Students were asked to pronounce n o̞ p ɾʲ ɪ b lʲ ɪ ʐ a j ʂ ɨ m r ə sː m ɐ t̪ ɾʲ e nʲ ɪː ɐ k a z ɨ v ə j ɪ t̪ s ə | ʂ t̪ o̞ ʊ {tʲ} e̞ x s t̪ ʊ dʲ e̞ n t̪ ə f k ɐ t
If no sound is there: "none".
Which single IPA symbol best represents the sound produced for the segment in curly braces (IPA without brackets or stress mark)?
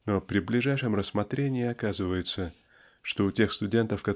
tʲ